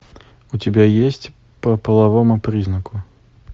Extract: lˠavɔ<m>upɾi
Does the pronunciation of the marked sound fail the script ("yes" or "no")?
no